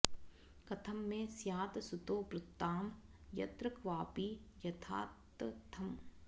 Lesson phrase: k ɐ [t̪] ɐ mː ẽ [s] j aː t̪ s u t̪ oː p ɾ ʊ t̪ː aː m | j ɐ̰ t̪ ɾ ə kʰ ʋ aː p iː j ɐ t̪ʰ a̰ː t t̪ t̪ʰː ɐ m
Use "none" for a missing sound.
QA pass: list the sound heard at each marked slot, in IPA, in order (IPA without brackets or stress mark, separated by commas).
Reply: t̪ʰ, s